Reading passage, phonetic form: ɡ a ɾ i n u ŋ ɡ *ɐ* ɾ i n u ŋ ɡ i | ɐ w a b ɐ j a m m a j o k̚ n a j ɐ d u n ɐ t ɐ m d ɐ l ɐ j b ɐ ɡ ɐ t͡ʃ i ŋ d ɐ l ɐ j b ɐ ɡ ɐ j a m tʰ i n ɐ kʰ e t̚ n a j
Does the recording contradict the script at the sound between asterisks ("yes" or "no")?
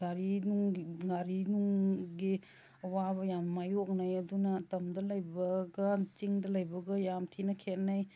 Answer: yes